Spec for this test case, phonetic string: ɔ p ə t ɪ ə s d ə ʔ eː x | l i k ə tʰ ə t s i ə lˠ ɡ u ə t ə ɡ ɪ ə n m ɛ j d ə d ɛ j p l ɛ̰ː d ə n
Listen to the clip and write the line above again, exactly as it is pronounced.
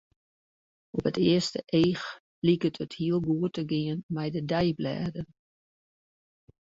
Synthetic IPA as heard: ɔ p ə t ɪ ə s t ə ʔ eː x | l i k ə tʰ ə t h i ə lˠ ɡ u ə t ə ɡ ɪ ə n m ɛ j d ə d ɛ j b l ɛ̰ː d ə n